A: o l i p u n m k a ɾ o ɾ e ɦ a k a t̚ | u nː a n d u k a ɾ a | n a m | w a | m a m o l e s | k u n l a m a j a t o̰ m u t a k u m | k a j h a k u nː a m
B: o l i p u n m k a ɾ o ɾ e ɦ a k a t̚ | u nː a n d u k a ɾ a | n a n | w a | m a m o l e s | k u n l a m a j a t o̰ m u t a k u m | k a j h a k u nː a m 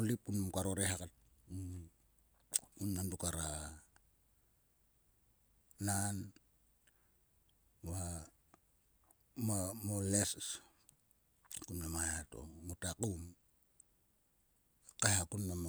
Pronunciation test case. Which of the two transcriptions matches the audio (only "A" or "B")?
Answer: B